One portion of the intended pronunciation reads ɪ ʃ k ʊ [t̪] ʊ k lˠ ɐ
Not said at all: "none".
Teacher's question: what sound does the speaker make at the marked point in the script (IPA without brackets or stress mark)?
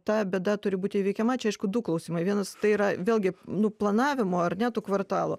d̪